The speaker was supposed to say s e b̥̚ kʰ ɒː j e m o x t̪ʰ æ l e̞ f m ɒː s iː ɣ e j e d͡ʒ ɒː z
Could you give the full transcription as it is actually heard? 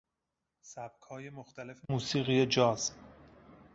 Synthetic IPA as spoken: s æ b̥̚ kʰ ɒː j e m o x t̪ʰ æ l e̞ f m uː s iː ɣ i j e d͡ʒ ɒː z

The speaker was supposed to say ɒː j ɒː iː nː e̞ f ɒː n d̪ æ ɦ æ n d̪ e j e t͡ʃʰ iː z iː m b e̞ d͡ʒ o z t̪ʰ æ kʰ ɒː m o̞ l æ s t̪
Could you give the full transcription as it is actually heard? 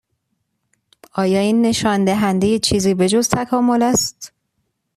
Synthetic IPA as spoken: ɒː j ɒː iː nː e̞ ʃ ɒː n d̪ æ ɦ æ n d̪ e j e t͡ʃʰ iː z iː b e̞ d͡ʒ o z t̪ʰ æ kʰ ɒː m o̞ l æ s t̪

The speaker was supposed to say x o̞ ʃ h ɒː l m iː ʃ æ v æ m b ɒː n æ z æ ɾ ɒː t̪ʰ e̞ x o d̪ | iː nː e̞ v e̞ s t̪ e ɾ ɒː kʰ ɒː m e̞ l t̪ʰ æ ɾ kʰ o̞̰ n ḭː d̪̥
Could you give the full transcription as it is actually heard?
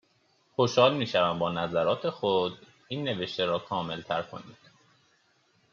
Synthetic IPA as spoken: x o̞ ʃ h ɒː l m iː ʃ æ v æ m b ɒː n æ z æ ɾ ɒː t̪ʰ e̞ x o d̪ | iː nː e̞ v e̞ ʃ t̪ e ɾ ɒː kʰ ɒː m e̞ l t̪ʰ æ ɾ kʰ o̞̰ n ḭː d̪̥

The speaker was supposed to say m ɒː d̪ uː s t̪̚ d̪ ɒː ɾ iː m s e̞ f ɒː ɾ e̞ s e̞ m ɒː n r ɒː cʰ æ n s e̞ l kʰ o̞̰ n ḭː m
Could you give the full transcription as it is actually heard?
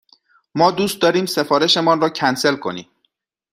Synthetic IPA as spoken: m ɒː d̪ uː s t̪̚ d̪ ɒː ɾ iː m s e̞ f ɒː ɾ e̞ ʃ e̞ m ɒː n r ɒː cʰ æ n s e̞ l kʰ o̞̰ n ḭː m

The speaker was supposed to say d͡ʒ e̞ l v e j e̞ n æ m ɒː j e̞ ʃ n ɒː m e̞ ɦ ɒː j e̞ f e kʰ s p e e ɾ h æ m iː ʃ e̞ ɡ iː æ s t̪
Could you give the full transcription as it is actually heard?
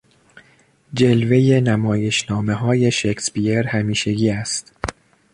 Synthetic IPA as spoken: d͡ʒ e̞ l v e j e̞ n æ m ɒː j e̞ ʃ n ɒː m e̞ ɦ ɒː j e̞ ʃ e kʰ s p i e ɾ h æ m iː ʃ e̞ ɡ iː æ s t̪

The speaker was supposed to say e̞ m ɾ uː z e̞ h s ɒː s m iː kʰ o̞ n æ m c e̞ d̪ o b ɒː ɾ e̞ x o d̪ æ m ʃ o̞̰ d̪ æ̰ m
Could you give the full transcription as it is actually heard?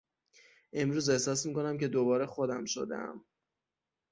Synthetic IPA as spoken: e̞ m ɾ uː z e̞ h s ɒː s m iː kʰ o̞ n æ m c e̞ d̪ o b ɒː ɾ e̞ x o d̪ æ m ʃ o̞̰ d̪ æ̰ m

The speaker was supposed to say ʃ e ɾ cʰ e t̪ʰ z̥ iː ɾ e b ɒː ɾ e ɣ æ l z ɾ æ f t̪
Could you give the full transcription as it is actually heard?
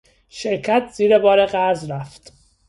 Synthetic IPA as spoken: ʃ e ɾ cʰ æ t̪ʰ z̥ iː ɾ e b ɒː ɾ e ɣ æ ɾ z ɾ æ f t̪

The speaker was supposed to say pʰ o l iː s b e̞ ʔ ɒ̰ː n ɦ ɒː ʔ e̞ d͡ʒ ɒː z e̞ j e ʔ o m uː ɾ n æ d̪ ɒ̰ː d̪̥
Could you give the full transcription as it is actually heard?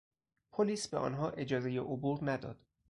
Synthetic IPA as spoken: pʰ o l iː s b e̞ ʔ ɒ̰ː n ɦ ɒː ʔ e̞ d͡ʒ ɒː z e̞ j e ʔ o b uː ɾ n æ d̪ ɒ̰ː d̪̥

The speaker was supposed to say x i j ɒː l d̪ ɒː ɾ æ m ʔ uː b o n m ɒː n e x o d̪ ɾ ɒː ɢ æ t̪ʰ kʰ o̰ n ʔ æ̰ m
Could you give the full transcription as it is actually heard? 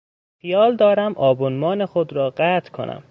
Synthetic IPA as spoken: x i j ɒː l d̪ ɒː ɾ æ m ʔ ɒː b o n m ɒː n e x o d̪ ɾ ɒː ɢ æ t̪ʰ kʰ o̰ n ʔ æ̰ m

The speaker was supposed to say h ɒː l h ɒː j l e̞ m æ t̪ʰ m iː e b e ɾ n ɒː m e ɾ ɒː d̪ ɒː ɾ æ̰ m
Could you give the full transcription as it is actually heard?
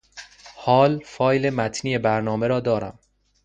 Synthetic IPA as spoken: h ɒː l f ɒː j l e̞ m æ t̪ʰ n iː e b æ ɾ n ɒː m e ɾ ɒː d̪ ɒː ɾ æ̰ m

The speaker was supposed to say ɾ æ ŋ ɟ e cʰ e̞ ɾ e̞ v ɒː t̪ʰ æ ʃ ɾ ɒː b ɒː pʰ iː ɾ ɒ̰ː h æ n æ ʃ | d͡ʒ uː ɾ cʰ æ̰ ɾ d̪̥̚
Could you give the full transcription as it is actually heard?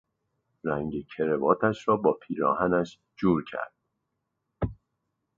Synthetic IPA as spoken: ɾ æ ŋ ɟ e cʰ e̞ ɾ e̞ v ɒː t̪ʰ æ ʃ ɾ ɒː b ɒː pʰ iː ɾ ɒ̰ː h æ n æ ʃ | d͡ʒ uː ɾ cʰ æ̰ ɾ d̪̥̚

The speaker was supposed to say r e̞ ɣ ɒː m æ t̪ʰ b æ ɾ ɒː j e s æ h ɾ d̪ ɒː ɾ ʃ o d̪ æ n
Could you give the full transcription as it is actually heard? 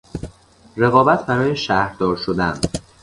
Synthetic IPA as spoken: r e̞ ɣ ɒː b æ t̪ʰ b æ ɾ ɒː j e ʃ æ h ɾ d̪ ɒː ɾ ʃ o d̪ æ n

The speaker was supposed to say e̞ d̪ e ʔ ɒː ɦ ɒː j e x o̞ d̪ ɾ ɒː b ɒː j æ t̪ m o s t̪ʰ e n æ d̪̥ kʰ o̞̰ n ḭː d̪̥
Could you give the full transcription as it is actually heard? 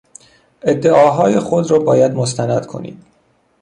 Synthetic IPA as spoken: e̞ d̪ː e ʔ ɒː ɦ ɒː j e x o̞ d̪ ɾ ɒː b ɒː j æ d̪ m o s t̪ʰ æ n æ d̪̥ kʰ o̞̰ n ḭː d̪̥

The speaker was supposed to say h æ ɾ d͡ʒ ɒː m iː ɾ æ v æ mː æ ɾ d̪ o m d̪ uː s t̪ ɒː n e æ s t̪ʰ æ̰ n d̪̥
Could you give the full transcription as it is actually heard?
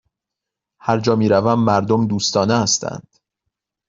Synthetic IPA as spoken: h æ ɾ d͡ʒ ɒː m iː ɾ æ v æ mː æ ɾ d̪ o m d̪ uː s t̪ ɒː n e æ s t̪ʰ æ̰ n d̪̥

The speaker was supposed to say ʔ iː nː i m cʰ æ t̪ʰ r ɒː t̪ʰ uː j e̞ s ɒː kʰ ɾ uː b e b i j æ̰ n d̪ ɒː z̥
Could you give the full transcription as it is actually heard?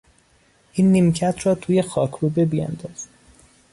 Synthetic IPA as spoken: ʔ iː nː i m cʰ æ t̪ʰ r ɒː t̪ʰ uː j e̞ x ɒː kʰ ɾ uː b e b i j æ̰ n d̪ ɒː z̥

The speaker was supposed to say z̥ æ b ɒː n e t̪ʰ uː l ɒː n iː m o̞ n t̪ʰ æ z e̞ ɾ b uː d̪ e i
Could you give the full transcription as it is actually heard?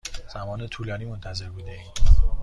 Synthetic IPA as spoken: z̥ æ m ɒː n e t̪ʰ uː l ɒː n iː m o̞ n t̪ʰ æ z e̞ ɾ b uː d̪ e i

